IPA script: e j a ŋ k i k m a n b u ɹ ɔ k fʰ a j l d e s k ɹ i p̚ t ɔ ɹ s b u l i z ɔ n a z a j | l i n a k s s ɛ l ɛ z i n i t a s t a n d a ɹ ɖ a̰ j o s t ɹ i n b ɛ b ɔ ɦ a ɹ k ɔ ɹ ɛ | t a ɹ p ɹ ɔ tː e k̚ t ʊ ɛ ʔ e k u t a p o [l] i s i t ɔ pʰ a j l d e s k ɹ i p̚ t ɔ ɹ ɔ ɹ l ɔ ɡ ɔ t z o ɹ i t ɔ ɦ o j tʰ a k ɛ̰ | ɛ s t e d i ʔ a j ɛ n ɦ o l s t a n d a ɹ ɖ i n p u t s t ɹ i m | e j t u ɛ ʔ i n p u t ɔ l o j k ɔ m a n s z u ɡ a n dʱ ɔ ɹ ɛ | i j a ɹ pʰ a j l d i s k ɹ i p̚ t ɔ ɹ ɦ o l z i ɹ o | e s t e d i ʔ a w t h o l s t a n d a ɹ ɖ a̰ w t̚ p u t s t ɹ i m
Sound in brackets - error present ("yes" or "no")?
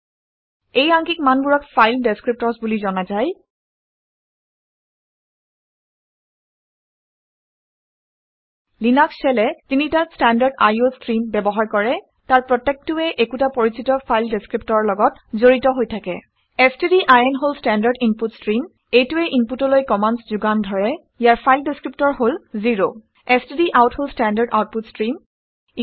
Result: yes